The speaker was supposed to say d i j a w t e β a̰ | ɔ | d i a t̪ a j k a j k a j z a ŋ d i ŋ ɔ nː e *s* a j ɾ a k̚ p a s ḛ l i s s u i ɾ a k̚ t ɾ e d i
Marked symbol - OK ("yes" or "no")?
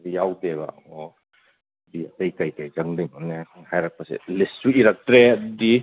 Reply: no